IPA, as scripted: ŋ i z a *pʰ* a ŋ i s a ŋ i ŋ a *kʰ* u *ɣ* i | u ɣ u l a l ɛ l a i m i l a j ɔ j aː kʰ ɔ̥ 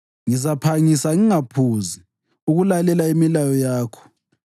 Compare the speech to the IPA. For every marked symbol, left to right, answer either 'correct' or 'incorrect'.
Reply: correct, incorrect: pʰ, incorrect: z

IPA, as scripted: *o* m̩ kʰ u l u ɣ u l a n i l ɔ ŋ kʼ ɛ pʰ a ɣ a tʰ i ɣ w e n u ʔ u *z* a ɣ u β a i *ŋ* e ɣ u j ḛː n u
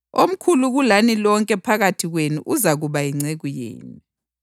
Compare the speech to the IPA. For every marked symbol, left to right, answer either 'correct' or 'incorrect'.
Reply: correct, correct, incorrect: ŋ͡ǀ

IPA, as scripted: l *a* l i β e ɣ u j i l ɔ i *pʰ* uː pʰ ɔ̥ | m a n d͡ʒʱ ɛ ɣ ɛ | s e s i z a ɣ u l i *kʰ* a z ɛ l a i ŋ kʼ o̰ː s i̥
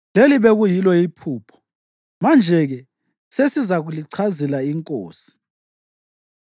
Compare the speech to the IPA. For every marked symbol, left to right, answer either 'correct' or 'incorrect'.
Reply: incorrect: e, correct, incorrect: ǀʰ

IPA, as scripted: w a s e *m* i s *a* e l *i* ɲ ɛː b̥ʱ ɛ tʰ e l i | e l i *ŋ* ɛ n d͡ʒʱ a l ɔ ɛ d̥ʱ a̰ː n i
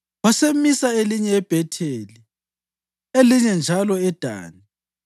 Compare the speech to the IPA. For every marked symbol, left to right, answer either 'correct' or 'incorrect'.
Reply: correct, correct, correct, incorrect: ɲ

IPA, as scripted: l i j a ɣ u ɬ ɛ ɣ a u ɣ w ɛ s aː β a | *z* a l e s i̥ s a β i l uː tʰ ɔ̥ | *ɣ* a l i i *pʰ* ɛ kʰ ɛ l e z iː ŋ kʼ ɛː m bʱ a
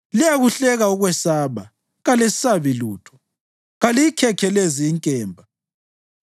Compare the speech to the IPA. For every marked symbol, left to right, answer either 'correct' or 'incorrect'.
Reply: incorrect: ɣ, correct, incorrect: kʰ

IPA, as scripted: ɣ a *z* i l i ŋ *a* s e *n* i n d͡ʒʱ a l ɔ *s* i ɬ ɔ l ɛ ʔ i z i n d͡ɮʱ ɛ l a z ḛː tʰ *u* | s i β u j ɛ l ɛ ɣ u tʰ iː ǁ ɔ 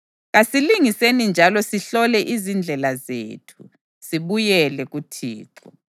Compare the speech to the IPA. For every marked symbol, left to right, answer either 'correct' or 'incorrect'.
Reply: incorrect: s, incorrect: i, correct, correct, correct

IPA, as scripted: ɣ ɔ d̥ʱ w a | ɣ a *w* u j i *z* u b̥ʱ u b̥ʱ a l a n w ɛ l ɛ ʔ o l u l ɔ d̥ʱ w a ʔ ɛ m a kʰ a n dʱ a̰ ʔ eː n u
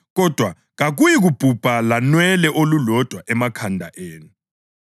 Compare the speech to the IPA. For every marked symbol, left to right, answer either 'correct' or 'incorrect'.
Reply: incorrect: ɣ, incorrect: ɣ

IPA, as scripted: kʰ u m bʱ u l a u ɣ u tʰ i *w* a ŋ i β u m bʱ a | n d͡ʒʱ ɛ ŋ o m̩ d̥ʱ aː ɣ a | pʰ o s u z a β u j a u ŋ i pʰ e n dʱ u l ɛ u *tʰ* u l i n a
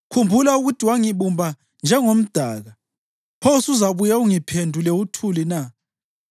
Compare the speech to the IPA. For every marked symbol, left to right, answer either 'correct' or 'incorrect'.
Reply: correct, correct

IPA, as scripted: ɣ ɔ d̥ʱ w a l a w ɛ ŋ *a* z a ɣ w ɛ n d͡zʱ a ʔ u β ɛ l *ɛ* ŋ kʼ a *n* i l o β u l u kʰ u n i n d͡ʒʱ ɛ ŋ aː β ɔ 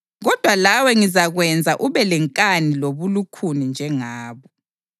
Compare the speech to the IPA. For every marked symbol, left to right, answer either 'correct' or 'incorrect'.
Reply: incorrect: i, correct, correct

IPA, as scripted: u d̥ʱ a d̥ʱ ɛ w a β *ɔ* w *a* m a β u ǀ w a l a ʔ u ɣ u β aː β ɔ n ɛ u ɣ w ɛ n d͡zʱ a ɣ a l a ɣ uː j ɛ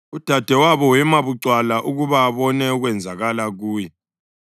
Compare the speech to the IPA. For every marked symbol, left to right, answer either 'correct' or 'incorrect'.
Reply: correct, incorrect: ɛ

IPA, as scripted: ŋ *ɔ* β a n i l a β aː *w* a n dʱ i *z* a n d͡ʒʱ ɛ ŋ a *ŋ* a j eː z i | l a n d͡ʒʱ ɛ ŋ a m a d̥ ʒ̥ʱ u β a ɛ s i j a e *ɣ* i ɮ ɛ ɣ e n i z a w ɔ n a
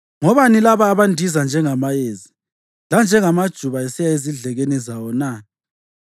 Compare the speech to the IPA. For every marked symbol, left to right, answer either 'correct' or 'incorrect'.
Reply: correct, incorrect: β, correct, incorrect: m, incorrect: z

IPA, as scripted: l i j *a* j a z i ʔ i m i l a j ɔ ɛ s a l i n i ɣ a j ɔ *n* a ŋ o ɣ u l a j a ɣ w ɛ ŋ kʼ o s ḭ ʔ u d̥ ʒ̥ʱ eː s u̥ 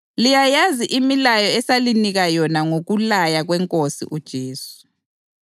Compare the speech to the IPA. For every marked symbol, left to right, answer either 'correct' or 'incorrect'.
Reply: correct, correct

